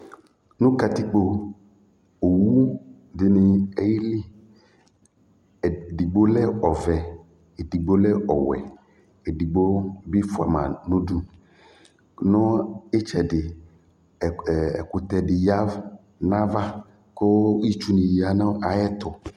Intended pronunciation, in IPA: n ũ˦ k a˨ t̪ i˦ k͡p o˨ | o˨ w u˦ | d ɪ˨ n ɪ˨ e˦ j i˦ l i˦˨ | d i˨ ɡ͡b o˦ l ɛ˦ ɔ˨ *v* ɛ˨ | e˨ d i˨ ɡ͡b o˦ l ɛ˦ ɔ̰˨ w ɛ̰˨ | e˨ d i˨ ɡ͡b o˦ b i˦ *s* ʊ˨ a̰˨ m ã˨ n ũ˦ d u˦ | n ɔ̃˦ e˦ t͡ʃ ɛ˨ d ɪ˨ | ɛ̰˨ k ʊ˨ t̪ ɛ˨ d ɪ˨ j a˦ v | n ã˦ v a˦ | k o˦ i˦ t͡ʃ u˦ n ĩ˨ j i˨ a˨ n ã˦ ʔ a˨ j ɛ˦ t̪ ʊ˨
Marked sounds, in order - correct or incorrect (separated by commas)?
correct, incorrect